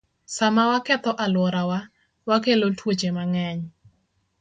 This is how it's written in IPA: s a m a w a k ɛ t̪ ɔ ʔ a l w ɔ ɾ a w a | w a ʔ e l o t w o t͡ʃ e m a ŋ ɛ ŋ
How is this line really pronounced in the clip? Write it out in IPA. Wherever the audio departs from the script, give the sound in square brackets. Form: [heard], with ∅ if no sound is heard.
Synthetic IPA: s a m a w a k ɛ t̪ ɔ ʔ a l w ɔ ɾ a w a | w a [k] e l o t w o t͡ʃ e m a ŋ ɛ [ɲ]